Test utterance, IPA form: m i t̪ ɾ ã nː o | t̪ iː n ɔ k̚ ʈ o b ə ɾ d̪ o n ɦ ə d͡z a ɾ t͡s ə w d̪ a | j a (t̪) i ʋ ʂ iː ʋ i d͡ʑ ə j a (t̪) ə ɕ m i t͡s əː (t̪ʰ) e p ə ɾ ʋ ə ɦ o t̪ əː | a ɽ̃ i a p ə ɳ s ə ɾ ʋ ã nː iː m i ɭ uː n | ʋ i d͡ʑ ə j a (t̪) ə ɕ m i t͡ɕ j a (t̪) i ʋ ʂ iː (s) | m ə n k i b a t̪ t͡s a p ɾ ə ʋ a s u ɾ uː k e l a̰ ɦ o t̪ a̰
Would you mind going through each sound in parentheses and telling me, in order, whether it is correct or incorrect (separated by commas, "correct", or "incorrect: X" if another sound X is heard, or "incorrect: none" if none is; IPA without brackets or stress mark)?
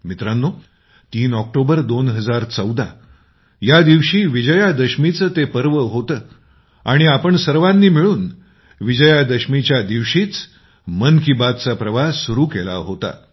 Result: incorrect: d̪, incorrect: d̪, incorrect: t̪, incorrect: d̪, incorrect: d̪, incorrect: t͡s